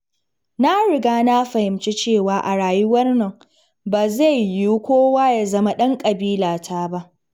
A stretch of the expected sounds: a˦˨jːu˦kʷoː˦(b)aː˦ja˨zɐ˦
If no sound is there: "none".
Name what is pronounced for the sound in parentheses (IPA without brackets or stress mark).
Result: w